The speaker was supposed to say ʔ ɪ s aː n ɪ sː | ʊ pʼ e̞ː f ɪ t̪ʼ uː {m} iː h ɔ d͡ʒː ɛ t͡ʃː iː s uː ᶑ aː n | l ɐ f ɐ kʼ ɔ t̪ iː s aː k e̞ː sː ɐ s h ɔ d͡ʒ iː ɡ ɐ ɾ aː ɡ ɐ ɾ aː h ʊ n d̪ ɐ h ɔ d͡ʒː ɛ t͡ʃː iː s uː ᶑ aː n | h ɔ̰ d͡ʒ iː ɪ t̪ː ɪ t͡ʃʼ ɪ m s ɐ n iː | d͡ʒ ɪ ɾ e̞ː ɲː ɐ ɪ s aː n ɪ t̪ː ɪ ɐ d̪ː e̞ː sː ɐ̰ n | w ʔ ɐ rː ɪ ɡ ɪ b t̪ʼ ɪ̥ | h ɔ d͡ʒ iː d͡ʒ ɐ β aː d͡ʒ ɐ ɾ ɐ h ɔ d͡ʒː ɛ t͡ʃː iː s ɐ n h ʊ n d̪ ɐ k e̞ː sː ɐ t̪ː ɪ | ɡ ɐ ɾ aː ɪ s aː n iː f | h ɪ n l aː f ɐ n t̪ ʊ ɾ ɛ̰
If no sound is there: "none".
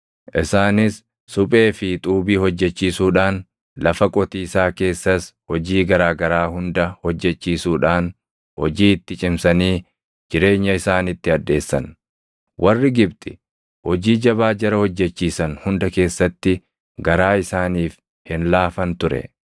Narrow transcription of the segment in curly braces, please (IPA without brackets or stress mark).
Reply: b